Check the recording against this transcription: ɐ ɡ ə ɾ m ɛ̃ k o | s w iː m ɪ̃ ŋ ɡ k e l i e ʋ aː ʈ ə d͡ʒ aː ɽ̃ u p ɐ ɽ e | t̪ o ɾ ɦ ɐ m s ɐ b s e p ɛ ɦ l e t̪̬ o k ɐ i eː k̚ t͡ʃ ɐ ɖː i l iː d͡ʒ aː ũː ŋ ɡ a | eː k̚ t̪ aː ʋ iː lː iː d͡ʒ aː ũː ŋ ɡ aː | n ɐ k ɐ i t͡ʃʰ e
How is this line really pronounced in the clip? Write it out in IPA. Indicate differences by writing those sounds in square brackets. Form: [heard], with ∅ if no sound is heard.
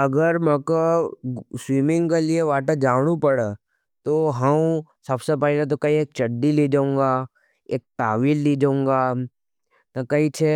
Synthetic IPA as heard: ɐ ɡ ə ɾ m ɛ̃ k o | s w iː m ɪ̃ ŋ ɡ k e l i e ʋ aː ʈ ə d͡ʒ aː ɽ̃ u p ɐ ɽ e | t̪ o [∅] ɦ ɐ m s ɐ b s e p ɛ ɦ l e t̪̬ o k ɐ i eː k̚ t͡ʃ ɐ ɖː i l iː d͡ʒ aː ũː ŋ ɡ a | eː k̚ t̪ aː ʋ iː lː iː d͡ʒ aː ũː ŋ ɡ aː | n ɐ k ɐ i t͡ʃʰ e

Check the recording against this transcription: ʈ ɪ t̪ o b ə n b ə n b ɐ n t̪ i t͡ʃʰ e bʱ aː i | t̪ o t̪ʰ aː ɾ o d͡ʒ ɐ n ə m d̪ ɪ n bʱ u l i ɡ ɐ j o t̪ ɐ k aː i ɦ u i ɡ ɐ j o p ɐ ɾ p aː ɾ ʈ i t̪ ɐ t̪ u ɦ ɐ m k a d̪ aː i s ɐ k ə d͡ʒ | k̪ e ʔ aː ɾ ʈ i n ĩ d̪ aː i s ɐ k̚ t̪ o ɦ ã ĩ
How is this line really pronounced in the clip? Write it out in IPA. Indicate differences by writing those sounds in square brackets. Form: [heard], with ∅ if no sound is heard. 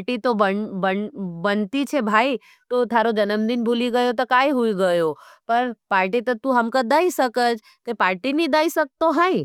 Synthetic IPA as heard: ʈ [i] t̪ o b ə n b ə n b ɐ n t̪ i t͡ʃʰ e bʱ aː i | t̪ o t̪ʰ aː ɾ o d͡ʒ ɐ n ə m d̪ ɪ n bʱ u l i ɡ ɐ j o t̪ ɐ k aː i ɦ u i ɡ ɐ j o p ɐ ɾ p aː ɾ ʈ i t̪ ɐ t̪ u ɦ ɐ m k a d̪ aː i s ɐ k ə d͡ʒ | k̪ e [p] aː ɾ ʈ i n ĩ d̪ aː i s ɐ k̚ t̪ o ɦ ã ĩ

